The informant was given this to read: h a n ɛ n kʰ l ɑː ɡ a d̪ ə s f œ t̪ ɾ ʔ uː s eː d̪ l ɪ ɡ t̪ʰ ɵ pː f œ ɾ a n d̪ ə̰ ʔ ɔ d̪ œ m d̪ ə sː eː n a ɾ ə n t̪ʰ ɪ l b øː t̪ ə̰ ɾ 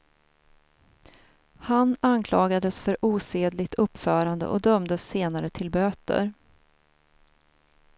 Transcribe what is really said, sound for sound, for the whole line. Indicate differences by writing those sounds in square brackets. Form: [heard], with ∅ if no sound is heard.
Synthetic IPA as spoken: h a n [a] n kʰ l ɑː ɡ a d̪ ə s f œ [∅] ɾ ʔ uː s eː d̪ l ɪ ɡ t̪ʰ ɵ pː f [œː] ɾ a n d̪ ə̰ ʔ ɔ d̪ œ m d̪ ə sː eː n a ɾ ə [∅] t̪ʰ ɪ l b øː t̪ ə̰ ɾ

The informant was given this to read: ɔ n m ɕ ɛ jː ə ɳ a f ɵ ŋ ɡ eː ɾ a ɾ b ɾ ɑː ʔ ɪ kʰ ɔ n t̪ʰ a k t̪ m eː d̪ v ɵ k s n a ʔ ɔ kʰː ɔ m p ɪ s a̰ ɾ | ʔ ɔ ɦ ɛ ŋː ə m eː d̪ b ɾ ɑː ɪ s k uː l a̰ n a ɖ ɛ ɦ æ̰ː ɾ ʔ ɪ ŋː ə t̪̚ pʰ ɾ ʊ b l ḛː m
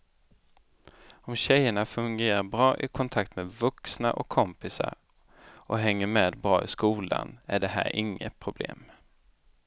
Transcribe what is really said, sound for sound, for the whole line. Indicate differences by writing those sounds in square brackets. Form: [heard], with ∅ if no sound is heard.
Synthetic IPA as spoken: ɔ [∅] m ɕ ɛ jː ə ɳ a f ɵ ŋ ɡ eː ɾ a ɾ b ɾ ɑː ʔ ɪ kʰ ɔ n t̪ʰ a k t̪ m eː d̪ v ɵ k s n a ʔ ɔ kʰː ɔ m p ɪ s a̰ ɾ | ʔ ɔ ɦ ɛ ŋː ə m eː d̪ b ɾ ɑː ɪ s k uː l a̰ n [æ] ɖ ɛ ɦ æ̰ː ɾ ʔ ɪ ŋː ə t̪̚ pʰ ɾ ʊ b l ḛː m

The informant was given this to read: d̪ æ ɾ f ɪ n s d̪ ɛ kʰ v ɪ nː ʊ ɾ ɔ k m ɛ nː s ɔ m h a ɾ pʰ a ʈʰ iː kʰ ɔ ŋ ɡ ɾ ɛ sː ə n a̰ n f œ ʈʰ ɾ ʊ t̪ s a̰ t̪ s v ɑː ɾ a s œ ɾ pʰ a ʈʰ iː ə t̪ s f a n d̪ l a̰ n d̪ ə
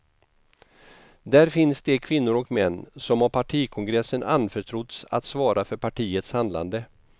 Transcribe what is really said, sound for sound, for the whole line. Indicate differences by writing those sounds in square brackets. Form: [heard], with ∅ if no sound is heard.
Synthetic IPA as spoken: d̪ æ ɾ f ɪ n s d̪ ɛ kʰ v ɪ nː ʊ ɾ ɔ k m ɛ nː s ɔ m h a ɾ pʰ a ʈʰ iː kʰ ɔ ŋ ɡ ɾ ɛ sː ə n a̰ n f œ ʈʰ ɾ ʊ t̪ s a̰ t̪ s v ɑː ɾ a [f] œ ɾ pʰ a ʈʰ iː ə t̪ s [h] a n d̪ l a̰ n d̪ ə

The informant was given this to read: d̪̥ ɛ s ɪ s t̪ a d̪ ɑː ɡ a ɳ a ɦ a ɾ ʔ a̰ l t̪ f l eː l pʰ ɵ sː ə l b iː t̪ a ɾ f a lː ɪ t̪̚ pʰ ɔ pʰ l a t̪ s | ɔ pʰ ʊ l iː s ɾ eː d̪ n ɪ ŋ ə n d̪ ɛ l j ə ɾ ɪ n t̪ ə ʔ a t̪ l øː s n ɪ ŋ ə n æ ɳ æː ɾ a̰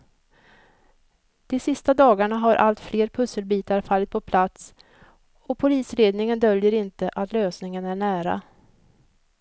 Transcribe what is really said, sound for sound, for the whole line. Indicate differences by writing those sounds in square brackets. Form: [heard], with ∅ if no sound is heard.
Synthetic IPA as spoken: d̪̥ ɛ s ɪ s t̪ a d̪ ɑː ɡ a ɳ a ɦ a ɾ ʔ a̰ l t̪ f l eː [ɾ] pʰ ɵ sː ə l b iː t̪ a ɾ f a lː ɪ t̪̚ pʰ ɔ pʰ l a t̪ s | ɔ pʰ ʊ l iː s ɾ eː d̪ n ɪ ŋ ə n d̪ [œ] l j ə ɾ ɪ n t̪ ə ʔ a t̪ l øː s n ɪ ŋ ə n æ ɳ æː ɾ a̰

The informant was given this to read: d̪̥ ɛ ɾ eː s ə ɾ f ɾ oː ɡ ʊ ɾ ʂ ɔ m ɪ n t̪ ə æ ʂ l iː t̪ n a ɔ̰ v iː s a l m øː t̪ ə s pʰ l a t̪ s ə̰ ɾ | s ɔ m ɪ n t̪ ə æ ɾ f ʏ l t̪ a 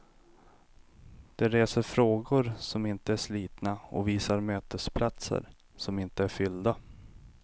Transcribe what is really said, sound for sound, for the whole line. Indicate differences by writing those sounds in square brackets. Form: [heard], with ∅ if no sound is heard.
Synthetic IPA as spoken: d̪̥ ɛ ɾ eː s ə ɾ f ɾ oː ɡ ʊ ɾ [s] ɔ m ɪ n t̪ ə æ ʂ l iː t̪ n a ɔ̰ v iː s a [ɾ] m øː t̪ ə s pʰ l a t̪ s ə̰ ɾ | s ɔ m ɪ n t̪ ə æ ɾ f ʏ l [d̪] a

